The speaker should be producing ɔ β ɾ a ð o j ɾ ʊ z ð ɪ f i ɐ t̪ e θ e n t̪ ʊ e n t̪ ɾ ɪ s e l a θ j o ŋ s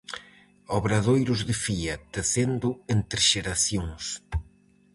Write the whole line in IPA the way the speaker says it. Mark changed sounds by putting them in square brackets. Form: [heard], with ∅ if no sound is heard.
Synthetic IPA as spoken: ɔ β ɾ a ð o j ɾ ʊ z ð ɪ f i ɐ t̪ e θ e n [d̪] ʊ e n t̪ ɾ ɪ [ʃ] e [ɾ] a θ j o ŋ s